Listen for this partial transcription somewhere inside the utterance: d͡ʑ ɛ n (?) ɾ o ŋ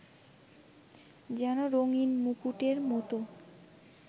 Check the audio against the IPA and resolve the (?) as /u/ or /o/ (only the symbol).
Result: o